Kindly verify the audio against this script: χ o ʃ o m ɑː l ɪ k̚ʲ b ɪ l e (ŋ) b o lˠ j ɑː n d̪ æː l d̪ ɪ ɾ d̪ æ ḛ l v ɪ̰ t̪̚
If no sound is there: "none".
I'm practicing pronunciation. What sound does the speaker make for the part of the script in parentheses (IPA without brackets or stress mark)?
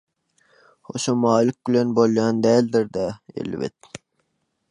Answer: n